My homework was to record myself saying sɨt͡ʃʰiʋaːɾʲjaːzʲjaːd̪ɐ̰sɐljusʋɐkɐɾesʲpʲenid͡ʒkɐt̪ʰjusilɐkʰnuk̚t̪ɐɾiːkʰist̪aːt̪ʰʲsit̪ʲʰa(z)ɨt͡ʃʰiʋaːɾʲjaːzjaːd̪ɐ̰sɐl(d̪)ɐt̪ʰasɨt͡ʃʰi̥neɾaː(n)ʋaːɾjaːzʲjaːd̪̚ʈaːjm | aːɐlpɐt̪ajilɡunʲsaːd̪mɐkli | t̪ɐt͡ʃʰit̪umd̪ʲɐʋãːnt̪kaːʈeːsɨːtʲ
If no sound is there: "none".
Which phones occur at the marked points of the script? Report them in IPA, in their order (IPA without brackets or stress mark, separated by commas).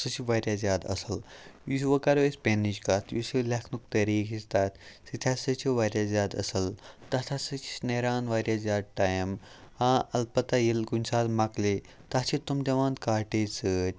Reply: s, t̪, n